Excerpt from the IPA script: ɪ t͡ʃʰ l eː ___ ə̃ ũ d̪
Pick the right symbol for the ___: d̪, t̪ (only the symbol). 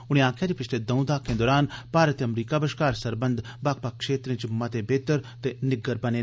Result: d̪